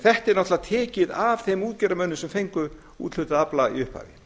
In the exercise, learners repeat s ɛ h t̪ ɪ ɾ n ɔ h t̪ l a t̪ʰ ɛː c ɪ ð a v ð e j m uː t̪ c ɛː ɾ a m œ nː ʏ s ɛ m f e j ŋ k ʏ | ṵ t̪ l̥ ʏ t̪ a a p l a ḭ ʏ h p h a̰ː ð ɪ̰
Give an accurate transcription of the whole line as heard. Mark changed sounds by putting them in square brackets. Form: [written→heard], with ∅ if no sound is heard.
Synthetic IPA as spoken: [s→θ] ɛ h t̪ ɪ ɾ n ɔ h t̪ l a t̪ʰ ɛː c ɪ ð a v [ð→θ] e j m uː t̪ c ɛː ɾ a m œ nː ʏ s ɛ m f e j ŋ k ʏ | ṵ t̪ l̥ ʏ t̪ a a p l a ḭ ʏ h p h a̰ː [ð→v] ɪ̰